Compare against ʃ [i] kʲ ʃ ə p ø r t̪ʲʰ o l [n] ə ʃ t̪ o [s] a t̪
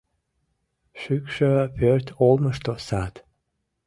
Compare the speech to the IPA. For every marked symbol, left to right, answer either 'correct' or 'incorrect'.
incorrect, incorrect, correct

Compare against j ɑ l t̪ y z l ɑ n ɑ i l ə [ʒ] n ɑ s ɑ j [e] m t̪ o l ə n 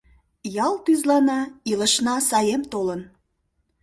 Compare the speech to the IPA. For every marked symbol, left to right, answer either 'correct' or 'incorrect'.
incorrect, correct

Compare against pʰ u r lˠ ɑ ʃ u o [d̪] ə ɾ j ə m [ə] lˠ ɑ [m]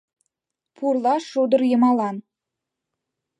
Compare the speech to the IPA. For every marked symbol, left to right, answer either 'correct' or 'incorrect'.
correct, incorrect, incorrect

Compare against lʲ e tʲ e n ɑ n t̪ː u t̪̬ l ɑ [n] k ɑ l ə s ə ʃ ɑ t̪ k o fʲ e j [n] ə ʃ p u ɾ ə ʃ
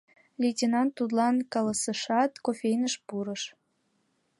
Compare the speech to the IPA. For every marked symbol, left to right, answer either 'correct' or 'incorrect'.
correct, correct

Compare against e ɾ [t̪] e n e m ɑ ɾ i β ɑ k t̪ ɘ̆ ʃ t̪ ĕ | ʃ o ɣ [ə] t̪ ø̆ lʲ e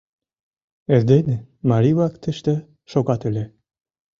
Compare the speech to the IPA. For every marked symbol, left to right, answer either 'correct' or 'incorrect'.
incorrect, incorrect

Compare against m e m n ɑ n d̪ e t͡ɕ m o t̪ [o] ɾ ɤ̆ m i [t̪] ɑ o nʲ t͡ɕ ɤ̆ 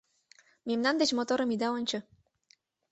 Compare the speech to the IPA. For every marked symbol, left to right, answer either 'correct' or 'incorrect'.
correct, incorrect

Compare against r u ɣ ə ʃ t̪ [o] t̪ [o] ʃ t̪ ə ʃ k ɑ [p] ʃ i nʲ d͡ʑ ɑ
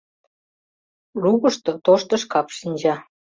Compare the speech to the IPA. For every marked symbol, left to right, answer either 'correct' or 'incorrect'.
correct, correct, correct

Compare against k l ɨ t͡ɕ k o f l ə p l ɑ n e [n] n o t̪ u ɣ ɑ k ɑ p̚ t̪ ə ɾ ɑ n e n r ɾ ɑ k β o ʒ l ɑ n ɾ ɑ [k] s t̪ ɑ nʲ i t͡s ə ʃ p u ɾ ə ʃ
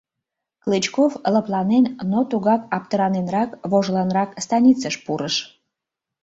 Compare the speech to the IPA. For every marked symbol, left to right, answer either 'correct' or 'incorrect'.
correct, correct

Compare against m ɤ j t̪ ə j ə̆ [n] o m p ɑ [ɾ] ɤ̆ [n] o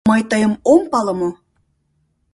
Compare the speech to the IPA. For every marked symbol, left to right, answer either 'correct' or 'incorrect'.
incorrect, incorrect, incorrect

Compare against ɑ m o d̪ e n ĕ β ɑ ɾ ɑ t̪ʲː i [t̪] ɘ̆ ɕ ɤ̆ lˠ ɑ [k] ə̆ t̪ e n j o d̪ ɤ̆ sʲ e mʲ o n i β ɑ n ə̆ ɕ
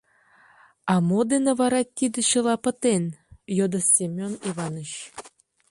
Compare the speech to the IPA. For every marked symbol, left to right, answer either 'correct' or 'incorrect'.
incorrect, incorrect

